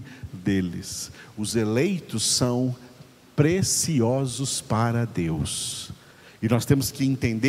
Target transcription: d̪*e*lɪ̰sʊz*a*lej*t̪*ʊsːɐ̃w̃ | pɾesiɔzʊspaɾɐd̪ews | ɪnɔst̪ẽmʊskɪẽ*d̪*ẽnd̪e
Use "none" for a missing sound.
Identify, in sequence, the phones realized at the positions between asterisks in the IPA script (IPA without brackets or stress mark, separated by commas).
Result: e, e, t̪, t̪